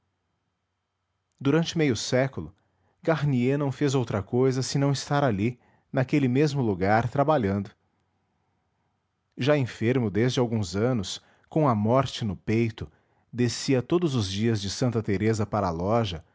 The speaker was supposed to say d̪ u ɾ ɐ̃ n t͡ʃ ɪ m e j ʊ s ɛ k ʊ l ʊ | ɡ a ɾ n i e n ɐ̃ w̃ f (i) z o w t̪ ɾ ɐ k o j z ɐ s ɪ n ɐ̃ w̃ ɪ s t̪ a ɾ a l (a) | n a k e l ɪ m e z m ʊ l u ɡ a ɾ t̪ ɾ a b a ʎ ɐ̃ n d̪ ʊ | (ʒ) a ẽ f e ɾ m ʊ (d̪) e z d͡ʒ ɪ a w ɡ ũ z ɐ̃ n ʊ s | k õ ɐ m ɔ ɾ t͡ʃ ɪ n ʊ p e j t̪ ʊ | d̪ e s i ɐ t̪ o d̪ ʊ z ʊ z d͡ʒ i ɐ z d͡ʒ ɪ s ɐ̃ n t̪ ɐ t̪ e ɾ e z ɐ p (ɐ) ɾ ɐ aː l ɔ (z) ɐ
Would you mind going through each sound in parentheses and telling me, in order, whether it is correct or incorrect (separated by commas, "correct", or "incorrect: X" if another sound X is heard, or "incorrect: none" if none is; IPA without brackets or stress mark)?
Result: incorrect: e, incorrect: i, correct, correct, incorrect: a, incorrect: ʒ